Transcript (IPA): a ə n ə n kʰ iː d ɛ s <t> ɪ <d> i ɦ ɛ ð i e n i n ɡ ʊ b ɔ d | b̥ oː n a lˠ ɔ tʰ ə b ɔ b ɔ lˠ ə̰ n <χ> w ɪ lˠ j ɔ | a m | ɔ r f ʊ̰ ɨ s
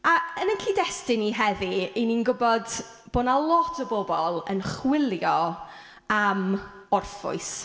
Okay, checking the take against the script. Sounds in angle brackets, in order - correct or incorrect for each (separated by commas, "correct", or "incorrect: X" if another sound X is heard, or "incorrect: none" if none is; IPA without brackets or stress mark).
correct, incorrect: n, correct